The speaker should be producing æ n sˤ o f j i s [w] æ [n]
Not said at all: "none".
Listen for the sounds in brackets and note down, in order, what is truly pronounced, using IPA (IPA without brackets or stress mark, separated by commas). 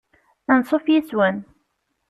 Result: w, n